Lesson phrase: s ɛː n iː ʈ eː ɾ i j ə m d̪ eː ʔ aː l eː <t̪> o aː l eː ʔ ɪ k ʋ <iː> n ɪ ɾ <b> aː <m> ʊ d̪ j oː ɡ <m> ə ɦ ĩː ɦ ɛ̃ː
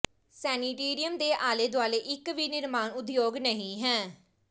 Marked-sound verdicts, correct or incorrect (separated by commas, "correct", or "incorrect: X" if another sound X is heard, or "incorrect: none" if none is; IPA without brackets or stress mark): incorrect: d̪, correct, incorrect: m, incorrect: n, incorrect: n